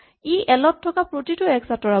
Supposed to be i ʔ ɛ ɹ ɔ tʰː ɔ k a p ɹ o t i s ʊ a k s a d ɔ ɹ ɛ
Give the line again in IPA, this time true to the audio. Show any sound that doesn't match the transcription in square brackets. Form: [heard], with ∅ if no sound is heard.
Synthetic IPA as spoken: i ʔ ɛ [l] ɔ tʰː ɔ k a p ɹ o t i [t] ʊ [ɛ] k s a [t] ɔ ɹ [a]